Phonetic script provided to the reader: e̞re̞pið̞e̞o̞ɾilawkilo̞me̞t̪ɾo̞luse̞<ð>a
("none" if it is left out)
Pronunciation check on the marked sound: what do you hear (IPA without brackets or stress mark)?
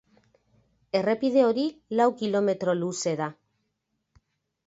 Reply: ð